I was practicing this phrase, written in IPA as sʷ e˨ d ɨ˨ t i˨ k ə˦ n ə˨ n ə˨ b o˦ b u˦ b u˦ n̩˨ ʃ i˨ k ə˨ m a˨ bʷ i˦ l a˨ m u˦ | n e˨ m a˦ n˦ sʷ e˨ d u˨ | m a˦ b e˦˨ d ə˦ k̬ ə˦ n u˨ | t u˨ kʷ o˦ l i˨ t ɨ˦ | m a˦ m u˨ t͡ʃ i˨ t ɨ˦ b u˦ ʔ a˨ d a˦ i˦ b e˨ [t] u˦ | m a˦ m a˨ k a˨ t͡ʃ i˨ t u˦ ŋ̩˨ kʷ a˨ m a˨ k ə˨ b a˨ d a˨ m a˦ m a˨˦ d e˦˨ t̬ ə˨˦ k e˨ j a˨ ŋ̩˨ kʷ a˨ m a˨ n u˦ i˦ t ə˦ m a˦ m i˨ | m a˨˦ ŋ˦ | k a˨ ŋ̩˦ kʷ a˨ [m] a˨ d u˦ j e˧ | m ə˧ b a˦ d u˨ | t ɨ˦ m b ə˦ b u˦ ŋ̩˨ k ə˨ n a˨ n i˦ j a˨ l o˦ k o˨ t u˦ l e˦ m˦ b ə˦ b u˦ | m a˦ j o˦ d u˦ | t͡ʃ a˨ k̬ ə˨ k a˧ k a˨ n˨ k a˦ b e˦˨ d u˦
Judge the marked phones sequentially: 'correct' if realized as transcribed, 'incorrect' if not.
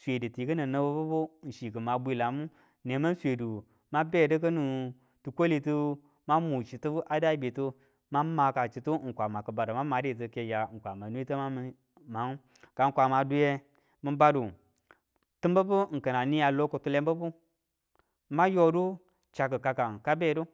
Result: correct, correct

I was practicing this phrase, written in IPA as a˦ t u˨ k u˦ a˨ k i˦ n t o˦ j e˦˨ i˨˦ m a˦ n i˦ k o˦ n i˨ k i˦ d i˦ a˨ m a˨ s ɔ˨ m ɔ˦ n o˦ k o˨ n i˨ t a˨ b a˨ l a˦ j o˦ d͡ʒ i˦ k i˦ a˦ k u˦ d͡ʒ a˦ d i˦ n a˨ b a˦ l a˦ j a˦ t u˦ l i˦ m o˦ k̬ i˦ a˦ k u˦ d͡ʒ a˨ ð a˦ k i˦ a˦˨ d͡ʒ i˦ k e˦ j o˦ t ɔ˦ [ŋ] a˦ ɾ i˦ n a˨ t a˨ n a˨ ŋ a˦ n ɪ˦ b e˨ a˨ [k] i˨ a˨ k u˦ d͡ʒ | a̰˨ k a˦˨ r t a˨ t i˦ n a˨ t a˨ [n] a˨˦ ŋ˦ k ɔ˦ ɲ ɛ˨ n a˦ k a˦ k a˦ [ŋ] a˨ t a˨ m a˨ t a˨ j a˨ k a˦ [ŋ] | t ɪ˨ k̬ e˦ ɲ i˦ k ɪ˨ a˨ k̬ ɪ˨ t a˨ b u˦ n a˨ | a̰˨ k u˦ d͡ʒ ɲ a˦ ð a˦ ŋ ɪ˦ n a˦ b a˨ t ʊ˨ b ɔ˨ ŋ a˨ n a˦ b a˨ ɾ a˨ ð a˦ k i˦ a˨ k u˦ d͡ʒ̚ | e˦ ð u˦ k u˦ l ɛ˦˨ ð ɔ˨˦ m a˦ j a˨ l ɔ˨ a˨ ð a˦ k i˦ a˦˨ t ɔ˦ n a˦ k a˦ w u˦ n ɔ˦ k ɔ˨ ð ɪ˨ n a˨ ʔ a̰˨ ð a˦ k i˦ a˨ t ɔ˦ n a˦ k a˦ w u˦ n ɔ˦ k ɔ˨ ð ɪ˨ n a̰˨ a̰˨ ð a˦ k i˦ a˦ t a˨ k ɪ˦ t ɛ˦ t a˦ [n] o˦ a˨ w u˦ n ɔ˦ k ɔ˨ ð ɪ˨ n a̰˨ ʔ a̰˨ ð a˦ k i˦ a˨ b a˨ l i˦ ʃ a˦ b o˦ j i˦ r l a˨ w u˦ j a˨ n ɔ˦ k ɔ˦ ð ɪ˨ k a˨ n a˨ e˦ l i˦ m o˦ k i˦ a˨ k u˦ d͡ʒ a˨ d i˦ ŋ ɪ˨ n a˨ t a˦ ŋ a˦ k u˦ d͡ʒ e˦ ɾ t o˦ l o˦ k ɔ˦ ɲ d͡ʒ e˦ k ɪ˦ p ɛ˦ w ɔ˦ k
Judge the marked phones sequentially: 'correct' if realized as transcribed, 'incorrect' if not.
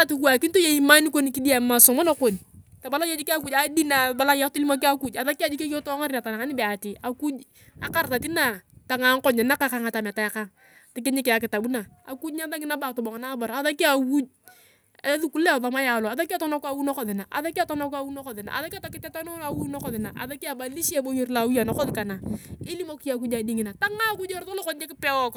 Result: correct, incorrect, incorrect, correct, correct, correct

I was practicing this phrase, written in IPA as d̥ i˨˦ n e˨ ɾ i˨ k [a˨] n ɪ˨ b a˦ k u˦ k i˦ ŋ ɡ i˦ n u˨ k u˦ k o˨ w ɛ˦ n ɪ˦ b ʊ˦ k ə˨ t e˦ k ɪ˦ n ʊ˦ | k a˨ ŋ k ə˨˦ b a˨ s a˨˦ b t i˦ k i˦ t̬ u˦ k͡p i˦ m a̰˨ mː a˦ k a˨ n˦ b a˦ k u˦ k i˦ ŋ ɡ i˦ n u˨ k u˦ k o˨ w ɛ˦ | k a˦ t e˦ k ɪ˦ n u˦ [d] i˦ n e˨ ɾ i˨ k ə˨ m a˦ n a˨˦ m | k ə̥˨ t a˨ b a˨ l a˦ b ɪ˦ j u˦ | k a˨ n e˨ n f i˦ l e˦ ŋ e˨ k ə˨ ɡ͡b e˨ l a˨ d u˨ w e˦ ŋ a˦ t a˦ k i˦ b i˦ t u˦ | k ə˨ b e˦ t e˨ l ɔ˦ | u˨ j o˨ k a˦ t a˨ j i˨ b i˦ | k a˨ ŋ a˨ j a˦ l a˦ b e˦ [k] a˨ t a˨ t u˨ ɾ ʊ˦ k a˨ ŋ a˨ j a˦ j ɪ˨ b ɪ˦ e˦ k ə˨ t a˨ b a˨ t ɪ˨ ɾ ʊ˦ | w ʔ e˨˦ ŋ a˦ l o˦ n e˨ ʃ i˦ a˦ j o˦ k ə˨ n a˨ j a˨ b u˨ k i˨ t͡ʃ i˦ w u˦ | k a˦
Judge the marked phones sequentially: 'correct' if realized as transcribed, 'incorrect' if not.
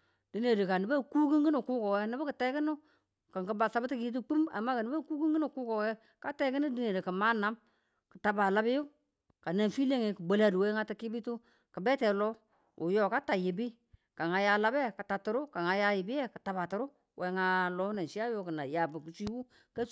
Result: correct, correct, correct

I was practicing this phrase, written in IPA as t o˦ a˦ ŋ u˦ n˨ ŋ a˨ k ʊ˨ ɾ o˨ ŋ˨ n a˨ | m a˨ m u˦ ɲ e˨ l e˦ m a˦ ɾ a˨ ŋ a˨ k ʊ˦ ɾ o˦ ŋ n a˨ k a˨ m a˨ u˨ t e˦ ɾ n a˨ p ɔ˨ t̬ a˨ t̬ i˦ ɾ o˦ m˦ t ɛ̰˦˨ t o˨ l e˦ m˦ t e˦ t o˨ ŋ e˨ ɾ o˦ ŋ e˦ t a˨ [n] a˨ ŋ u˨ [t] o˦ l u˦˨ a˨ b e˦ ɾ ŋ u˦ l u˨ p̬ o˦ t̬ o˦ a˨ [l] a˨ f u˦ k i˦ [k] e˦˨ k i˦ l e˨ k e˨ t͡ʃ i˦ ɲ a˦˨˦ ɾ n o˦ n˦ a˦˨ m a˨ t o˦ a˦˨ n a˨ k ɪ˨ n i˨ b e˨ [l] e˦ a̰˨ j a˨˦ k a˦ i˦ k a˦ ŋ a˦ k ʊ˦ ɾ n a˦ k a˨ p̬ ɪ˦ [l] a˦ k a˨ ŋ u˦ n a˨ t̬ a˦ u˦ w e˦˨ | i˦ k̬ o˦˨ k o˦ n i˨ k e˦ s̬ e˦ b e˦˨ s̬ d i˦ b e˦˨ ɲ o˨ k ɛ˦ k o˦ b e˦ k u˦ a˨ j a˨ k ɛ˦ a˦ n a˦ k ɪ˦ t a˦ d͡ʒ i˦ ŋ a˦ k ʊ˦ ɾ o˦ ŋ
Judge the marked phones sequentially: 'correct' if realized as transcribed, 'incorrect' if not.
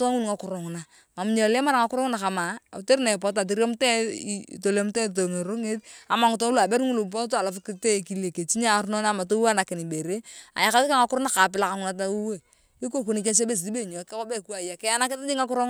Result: incorrect, correct, correct, incorrect, incorrect, correct

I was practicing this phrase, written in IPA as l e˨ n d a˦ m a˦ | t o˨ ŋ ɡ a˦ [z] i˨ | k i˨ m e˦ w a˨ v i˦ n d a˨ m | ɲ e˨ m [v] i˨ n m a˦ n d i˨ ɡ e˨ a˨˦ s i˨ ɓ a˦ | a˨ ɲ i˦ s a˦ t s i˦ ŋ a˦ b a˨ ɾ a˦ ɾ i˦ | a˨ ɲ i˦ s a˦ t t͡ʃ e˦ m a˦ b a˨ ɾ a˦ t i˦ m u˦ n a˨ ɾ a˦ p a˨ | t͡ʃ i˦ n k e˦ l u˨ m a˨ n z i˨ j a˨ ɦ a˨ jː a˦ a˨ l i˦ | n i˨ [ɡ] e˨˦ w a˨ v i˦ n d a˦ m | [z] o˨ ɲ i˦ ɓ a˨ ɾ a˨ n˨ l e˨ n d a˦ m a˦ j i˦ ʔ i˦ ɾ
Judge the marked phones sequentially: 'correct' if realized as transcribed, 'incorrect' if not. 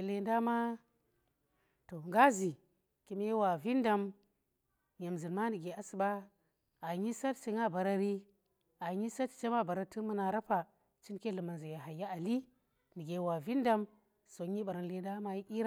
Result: correct, incorrect, correct, incorrect

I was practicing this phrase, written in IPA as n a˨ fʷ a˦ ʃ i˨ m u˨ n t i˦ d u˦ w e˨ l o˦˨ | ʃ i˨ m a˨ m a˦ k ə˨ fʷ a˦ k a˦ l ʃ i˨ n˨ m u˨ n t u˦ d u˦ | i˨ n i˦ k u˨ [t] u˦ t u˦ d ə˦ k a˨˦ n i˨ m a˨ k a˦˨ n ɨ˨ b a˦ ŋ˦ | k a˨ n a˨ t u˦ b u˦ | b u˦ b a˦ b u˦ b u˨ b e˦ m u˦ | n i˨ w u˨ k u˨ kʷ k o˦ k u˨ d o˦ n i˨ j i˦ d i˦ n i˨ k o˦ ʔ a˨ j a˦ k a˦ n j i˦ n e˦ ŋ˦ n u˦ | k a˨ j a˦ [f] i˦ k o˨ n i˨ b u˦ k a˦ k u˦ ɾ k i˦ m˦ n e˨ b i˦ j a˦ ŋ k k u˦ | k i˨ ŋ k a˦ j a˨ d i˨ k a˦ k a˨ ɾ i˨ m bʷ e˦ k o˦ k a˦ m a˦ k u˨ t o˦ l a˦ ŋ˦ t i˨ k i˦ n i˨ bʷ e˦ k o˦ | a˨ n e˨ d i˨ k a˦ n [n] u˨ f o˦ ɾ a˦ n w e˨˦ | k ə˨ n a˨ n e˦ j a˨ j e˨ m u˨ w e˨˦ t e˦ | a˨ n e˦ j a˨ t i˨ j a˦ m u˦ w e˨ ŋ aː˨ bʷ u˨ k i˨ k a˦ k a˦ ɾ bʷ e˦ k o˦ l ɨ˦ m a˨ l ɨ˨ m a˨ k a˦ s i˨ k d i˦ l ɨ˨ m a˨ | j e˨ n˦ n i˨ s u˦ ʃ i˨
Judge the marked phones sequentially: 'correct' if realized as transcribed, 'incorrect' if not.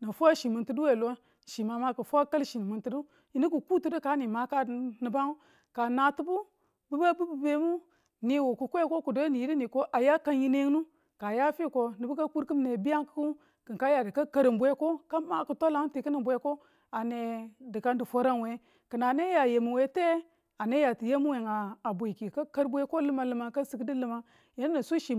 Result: incorrect, correct, incorrect

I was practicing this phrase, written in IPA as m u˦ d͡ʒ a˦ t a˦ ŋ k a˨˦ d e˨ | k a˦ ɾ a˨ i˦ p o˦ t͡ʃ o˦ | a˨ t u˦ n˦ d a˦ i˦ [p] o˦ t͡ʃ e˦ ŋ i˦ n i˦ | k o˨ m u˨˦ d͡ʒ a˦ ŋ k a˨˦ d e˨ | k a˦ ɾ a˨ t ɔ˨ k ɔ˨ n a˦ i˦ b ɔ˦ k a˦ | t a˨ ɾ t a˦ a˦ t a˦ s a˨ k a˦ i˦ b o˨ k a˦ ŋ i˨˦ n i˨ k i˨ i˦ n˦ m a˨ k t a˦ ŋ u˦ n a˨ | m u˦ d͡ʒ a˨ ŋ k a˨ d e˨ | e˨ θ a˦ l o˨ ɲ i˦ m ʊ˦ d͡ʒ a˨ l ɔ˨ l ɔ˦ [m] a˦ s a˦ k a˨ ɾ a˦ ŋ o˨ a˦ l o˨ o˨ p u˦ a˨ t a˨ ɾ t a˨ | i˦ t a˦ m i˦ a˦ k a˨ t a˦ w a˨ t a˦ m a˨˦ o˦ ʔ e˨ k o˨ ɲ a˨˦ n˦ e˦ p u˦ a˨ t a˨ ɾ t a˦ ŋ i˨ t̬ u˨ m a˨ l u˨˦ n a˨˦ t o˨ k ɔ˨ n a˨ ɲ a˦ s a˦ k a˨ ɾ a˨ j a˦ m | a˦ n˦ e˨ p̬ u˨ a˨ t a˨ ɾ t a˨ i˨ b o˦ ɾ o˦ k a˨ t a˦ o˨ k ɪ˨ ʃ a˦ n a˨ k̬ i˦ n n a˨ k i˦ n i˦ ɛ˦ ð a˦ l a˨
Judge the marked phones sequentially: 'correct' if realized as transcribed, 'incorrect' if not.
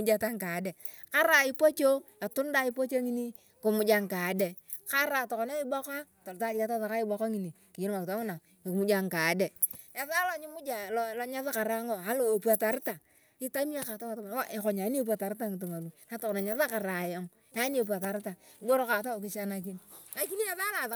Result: correct, incorrect

